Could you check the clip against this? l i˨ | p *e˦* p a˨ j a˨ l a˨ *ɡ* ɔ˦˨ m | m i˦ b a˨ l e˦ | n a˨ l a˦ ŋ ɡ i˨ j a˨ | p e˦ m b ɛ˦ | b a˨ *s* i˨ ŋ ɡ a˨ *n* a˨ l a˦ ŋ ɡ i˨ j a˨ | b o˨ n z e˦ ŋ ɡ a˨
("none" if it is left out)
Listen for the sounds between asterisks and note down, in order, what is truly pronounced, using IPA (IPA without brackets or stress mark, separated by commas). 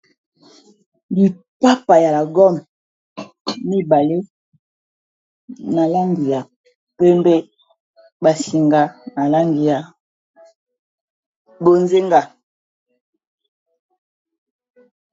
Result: a˦, ɡ, s, n